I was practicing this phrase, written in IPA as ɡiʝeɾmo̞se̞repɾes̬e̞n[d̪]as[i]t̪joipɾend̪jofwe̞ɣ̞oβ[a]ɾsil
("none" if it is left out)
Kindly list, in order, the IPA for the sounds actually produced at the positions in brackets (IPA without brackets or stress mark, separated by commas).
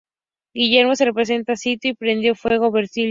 t̪, i, e